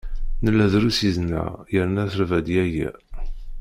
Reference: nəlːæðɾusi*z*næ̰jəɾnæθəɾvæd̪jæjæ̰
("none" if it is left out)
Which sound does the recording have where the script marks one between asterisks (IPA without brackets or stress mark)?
z